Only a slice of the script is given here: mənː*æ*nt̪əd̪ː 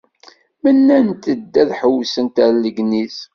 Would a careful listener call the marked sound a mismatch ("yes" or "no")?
no